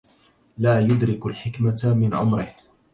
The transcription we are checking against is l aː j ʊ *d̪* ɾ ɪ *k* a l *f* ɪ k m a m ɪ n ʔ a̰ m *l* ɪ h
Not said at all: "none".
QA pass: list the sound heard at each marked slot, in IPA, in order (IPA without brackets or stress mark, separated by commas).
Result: d̪, k, ħ, ɾ